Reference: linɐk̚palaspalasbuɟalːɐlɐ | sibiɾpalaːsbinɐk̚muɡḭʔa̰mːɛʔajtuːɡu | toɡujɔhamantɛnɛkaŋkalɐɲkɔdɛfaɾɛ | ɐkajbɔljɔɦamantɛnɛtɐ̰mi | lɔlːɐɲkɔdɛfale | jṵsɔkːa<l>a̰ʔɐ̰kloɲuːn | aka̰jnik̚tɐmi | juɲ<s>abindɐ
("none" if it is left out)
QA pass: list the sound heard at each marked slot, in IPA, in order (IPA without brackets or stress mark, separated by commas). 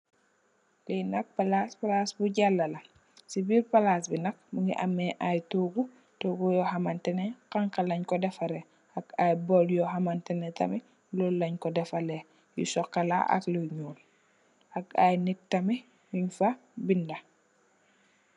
l, f